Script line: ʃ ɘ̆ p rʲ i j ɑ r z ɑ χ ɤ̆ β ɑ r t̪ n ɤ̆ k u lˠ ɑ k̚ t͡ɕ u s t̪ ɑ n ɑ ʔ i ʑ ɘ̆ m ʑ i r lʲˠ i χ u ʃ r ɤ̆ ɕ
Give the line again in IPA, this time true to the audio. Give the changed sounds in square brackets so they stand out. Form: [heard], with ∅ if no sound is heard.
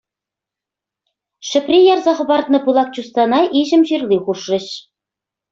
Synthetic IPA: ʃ ɘ̆ p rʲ i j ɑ r z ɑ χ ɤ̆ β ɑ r t̪ n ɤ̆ [p] u lˠ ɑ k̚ t͡ɕ u s t̪ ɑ n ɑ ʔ i ʑ ɘ̆ m ʑ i r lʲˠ i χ u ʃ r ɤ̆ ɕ